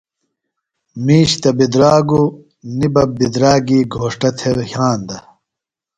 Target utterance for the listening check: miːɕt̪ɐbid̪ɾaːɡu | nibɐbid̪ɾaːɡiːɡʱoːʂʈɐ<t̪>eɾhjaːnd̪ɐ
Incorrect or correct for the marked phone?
incorrect: t̪ʰ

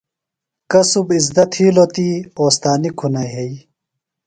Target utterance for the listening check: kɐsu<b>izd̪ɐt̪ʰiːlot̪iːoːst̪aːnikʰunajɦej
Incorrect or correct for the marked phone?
correct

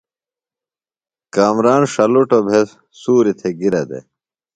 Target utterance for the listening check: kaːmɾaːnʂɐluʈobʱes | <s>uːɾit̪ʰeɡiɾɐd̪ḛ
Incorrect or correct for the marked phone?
correct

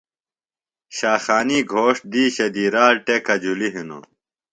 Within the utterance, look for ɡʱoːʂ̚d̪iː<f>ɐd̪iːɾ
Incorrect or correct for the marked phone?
incorrect: ɕ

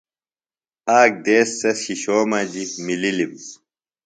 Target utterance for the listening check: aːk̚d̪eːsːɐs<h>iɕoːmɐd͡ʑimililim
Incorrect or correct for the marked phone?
incorrect: ɕ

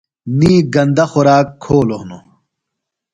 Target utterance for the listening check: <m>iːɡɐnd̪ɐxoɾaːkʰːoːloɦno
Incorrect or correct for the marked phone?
incorrect: n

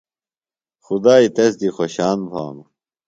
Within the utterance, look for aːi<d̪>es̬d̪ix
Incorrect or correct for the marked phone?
incorrect: t̪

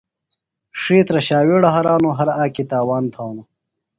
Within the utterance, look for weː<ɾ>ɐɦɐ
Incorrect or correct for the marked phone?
incorrect: ɽ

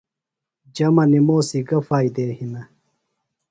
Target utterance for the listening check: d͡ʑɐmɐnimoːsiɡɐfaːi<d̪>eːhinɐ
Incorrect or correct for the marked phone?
correct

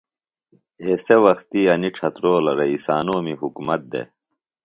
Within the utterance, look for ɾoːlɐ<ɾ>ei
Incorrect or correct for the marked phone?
correct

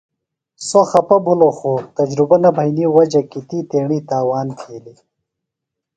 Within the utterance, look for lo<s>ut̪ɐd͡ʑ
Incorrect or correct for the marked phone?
incorrect: x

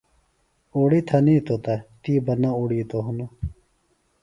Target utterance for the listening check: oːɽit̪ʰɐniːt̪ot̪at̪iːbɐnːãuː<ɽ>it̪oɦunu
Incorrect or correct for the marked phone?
correct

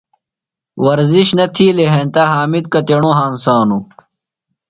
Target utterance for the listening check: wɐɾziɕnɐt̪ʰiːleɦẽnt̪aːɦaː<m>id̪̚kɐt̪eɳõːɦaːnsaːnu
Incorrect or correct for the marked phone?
correct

